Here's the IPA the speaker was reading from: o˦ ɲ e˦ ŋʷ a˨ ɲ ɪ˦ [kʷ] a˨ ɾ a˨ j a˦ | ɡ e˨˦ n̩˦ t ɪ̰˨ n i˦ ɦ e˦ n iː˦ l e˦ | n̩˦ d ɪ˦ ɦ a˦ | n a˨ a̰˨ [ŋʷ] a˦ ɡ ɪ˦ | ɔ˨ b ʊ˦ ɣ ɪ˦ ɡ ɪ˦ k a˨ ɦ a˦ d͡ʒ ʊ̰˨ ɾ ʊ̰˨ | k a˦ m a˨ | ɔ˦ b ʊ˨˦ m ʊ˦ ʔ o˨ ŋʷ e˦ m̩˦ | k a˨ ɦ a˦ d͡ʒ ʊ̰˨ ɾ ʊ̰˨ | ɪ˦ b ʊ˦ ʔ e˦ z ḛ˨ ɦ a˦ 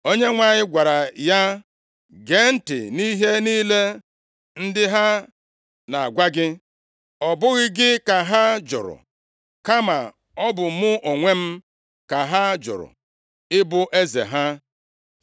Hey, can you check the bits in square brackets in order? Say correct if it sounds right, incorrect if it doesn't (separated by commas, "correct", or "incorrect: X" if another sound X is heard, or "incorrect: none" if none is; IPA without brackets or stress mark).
incorrect: ɡʷ, incorrect: ɡʷ